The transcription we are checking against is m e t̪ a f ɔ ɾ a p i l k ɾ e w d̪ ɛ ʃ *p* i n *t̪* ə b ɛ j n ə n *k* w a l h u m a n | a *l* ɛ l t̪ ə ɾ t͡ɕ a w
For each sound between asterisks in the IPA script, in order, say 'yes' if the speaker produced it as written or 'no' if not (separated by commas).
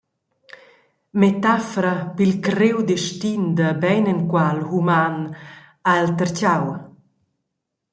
no, no, yes, no